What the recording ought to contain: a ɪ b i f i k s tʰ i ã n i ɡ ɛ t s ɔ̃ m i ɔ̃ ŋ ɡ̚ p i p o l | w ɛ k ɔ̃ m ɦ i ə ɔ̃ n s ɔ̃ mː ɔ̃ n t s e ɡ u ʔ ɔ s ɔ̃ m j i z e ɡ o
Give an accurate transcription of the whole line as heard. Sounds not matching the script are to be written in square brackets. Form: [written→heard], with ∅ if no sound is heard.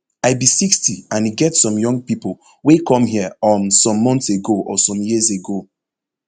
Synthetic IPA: a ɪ b i [f→s] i k s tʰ i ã n i ɡ ɛ t s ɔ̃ m [i→j] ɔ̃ ŋ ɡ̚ p i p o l | w [ɛ→e] k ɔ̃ m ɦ i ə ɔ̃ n s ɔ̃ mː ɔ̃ n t s e ɡ [u→o] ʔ ɔ s ɔ̃ m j i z e ɡ o

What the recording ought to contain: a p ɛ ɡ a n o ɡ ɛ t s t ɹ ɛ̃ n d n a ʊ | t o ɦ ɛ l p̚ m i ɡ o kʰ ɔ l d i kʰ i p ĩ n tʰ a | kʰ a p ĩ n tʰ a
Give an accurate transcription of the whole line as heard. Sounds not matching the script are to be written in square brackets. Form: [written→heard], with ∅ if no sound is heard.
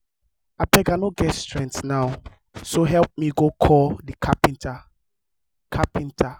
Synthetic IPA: a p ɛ ɡ a n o ɡ ɛ t s t ɹ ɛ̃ n [d→t] n a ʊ | [t→s] o ɦ ɛ l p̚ m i ɡ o kʰ ɔ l d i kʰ [i→a] p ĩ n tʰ a | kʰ a p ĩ n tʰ a

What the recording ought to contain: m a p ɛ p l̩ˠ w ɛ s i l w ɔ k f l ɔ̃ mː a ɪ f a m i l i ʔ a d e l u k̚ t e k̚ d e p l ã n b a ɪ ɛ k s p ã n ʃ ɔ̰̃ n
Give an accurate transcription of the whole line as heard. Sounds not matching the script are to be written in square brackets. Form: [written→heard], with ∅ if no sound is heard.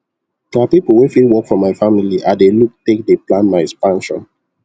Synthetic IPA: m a p [ɛ→i] p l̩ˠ w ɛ [s→f] i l w ɔ k f [l→ɹ] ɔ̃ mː a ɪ f a m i l i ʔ a d e l u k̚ t e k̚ d e p l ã n [b→m] a ɪ ɛ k s p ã n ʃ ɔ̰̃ n

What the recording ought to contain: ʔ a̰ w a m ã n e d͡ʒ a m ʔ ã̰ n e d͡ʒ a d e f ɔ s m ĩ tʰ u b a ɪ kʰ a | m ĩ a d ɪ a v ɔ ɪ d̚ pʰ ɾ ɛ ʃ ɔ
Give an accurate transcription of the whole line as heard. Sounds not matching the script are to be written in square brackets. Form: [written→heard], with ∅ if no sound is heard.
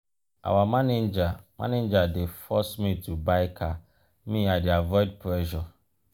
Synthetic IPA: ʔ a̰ w a m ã n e d͡ʒ a m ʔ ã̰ n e d͡ʒ a d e f ɔ s m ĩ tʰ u b a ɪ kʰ a | m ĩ a d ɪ a v ɔ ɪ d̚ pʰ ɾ ɛ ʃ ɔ

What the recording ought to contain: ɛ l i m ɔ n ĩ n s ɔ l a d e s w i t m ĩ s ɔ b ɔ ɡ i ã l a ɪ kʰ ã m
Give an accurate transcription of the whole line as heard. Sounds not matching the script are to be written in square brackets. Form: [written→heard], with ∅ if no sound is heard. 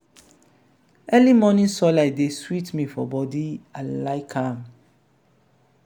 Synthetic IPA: ɛ l i m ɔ n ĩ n s ɔ l a d e s w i t m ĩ [s→f] ɔ b ɔ [ɡ→d] i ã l a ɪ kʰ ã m

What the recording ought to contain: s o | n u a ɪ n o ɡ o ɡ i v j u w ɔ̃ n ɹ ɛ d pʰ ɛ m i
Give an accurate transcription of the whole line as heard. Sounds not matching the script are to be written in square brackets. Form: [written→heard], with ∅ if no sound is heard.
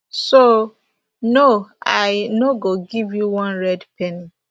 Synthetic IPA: s o | n [u→o] a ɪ n o ɡ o ɡ i v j u w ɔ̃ n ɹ ɛ d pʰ ɛ [m→n] i

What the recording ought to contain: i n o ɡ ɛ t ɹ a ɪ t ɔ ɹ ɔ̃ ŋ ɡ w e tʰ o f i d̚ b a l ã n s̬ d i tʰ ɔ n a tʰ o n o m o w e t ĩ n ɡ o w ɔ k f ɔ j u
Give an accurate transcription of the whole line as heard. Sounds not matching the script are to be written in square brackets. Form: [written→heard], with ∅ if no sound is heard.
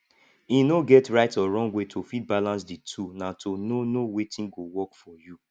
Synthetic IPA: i n o ɡ ɛ t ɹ a ɪ t ɔ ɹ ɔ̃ ŋ ɡ w e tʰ o f i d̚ b a l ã n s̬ d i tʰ [ɔ→u] n a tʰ o n o [m→n] o w e t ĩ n ɡ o w ɔ k f ɔ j u

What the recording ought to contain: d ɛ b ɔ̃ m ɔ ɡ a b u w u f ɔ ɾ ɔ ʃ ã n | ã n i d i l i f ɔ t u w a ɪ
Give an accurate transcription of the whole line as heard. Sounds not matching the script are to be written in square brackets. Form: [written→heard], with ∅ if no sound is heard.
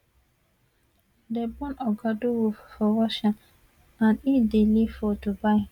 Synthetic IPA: d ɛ b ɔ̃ [m→n] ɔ ɡ a [b→d] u w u f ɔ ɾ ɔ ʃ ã n | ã n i d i l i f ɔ t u [w→b] a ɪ

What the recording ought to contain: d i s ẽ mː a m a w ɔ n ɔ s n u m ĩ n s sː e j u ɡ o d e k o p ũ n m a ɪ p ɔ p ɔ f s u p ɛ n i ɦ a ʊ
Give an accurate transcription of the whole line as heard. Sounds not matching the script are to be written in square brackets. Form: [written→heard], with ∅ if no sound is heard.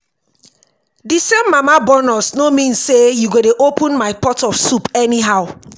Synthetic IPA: d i s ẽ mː a m a [w→b] ɔ n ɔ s n [u→o] m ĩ n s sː e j u ɡ o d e [k→ʔ] o p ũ n m a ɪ p ɔ [p→t] ɔ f s u p ɛ n i ɦ a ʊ

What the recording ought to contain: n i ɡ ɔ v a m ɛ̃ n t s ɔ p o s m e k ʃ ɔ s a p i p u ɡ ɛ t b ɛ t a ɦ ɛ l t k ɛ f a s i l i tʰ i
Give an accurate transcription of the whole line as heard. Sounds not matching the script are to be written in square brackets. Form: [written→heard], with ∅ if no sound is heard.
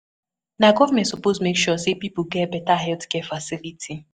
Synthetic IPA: n [i→a] ɡ ɔ v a m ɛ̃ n t s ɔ p o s m e k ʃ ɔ s [a→e] p i p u ɡ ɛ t b ɛ t a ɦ ɛ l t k ɛ f a s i l i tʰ i

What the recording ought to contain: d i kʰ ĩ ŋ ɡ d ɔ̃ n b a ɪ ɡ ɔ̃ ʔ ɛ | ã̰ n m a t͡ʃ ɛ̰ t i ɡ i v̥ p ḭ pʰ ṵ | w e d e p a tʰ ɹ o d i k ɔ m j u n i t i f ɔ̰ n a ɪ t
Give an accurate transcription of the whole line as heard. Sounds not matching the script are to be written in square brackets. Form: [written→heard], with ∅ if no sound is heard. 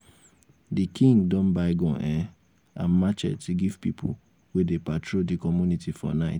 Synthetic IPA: d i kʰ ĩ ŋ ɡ d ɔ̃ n b a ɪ ɡ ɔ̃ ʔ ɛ | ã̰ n m a t͡ʃ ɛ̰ t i ɡ i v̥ p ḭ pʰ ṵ | w e d e p a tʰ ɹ o d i k ɔ m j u n i t i f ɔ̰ n a ɪ t

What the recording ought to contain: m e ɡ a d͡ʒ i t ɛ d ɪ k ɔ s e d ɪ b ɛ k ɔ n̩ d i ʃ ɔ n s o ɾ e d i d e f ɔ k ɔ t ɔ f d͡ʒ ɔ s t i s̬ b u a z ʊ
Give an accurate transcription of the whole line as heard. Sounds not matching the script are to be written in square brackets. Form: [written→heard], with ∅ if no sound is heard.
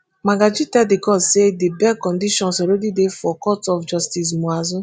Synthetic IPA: m [e→a] ɡ a d͡ʒ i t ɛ d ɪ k ɔ s e d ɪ b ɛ k ɔ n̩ d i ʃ ɔ n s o ɾ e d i d e f ɔ k ɔ t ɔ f d͡ʒ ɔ s t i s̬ [b→m] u a z ʊ

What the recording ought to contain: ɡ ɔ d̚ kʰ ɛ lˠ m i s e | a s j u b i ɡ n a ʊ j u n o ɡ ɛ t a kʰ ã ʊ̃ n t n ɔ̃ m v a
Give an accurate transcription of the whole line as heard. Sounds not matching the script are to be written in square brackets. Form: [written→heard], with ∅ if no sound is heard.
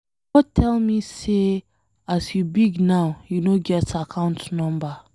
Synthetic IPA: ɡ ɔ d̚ [kʰ→tʰ] ɛ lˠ m i s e | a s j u b i ɡ n a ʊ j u n o ɡ ɛ t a kʰ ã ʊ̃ n t n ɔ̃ m [v→b] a

